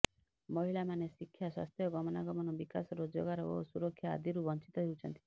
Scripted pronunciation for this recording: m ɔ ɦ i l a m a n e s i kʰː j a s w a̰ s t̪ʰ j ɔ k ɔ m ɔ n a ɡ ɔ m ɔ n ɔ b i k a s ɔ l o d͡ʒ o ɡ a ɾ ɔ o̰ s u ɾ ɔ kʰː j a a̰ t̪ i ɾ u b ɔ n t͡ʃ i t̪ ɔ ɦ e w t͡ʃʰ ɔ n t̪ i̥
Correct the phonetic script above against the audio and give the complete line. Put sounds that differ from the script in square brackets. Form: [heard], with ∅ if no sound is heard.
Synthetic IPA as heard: m ɔ ɦ i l a m a n e s i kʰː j a s w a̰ s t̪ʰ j ɔ [ɡ] ɔ m ɔ n a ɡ ɔ m ɔ n ɔ b i k a s ɔ [ɾ] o d͡ʒ o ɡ a ɾ ɔ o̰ s u ɾ ɔ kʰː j a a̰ [d̪] i ɾ u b ɔ n t͡ʃ i t̪ ɔ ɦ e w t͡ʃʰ ɔ n t̪ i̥

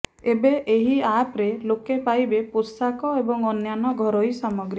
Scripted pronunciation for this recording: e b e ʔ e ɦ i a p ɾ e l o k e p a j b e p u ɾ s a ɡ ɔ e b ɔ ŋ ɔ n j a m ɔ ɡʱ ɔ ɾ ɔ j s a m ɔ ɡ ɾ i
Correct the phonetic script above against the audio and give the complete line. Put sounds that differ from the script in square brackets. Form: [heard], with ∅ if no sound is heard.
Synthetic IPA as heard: e b e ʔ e ɦ i a p ɾ e l o k e p a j b e p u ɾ s a [k] ɔ e b ɔ ŋ ɔ n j a [n] ɔ ɡʱ ɔ ɾ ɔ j s a m ɔ ɡ ɾ i

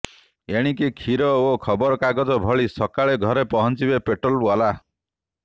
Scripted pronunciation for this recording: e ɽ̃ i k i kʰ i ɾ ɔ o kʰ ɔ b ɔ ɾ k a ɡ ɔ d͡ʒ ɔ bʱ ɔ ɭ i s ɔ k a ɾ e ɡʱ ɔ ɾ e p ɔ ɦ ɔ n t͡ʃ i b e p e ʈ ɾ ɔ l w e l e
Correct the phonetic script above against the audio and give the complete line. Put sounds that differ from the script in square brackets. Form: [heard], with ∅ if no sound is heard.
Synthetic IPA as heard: e ɽ̃ i k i kʰ i ɾ ɔ o kʰ ɔ b ɔ ɾ k a ɡ ɔ d͡ʒ ɔ bʱ ɔ ɭ i s ɔ k a [ɭ] e ɡʱ ɔ ɾ e p ɔ ɦ ɔ n t͡ʃ i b e p e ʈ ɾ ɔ l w [a] l [a]

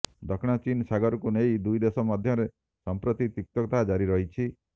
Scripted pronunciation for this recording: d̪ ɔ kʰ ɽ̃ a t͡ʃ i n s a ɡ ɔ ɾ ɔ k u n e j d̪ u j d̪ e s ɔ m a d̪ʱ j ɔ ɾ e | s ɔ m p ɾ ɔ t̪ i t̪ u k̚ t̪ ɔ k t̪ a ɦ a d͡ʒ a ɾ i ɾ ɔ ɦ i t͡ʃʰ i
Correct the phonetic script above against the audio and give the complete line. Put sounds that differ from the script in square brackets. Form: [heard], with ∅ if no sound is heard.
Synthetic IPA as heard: d̪ ɔ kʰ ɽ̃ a t͡ʃ i n s a ɡ ɔ ɾ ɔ k u n e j d̪ u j d̪ e s ɔ m a d̪ʱ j ɔ ɾ e | s ɔ m p ɾ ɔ t̪ i t̪ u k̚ t̪ ɔ k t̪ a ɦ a d͡ʒ a ɾ i ɾ ɔ ɦ i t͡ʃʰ i

